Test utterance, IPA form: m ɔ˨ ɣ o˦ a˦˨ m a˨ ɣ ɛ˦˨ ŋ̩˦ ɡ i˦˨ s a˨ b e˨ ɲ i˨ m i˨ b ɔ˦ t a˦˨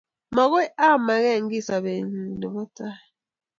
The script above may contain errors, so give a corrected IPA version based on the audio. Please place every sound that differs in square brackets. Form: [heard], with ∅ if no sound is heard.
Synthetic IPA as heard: m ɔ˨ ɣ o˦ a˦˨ m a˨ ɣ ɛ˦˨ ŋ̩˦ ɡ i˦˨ s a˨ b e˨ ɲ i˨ [n] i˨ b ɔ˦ t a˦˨